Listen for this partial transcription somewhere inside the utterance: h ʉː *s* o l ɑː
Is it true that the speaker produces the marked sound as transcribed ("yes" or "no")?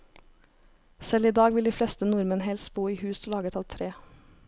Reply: yes